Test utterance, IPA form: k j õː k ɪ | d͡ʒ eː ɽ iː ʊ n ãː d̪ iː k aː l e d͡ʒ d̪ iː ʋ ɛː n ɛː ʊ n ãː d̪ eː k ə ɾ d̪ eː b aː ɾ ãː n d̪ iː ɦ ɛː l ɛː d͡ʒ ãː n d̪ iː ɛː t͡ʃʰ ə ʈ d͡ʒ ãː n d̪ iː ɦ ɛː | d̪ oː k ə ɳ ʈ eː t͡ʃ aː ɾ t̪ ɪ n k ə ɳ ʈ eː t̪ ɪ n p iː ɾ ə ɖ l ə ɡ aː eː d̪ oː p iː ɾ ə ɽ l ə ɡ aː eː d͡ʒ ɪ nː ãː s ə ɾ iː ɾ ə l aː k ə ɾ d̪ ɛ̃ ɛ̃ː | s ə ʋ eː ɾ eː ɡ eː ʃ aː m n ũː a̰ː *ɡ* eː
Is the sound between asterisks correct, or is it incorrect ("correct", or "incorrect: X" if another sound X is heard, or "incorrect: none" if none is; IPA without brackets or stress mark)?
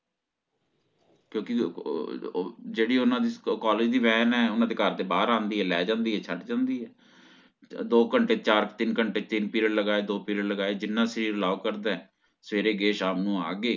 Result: correct